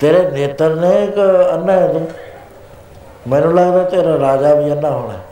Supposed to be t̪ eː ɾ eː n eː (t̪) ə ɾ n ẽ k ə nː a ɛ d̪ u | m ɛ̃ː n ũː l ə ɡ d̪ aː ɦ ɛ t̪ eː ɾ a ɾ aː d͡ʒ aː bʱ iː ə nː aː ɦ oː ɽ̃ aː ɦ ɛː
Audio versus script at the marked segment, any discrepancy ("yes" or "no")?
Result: no